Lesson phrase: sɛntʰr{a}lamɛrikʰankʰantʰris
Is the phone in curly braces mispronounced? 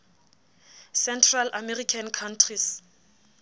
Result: no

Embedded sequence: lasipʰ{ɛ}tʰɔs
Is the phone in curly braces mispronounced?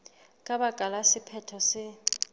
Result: no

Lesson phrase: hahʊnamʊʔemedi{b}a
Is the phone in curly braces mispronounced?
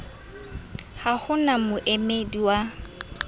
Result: yes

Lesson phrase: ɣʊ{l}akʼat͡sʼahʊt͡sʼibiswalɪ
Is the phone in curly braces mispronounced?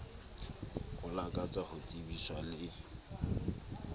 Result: no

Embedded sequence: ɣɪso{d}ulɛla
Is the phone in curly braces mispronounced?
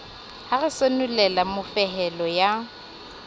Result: yes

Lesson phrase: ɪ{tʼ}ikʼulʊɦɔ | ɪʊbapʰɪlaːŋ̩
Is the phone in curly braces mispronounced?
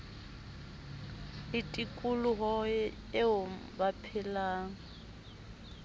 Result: no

